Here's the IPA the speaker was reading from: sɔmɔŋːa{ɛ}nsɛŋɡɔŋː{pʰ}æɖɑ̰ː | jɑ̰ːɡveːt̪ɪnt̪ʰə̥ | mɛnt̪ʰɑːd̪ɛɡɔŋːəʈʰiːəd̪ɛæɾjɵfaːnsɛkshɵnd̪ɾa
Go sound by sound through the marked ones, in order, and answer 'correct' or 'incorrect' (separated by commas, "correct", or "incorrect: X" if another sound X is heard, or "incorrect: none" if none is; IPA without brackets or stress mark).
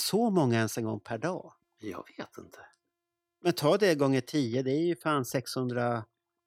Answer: correct, correct